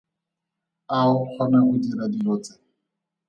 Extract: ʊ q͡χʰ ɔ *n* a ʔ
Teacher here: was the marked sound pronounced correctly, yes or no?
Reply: yes